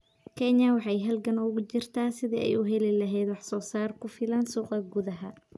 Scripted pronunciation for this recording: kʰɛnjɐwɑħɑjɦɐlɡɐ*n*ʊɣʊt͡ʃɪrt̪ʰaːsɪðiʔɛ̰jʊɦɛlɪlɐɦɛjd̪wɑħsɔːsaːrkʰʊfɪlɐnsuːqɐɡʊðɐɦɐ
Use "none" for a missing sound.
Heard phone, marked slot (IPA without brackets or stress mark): n